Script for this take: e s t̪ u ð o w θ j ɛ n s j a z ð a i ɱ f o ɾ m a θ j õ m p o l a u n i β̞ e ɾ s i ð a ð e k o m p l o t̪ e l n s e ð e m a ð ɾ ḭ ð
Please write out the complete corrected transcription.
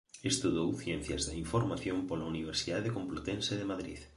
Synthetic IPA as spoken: e s t̪ u ð o w θ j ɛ n θ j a z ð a i ɱ f o ɾ m a θ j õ m p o l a u n i β̞ e ɾ s i ð a ð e k o m p l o t̪ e n s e ð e m a ð ɾ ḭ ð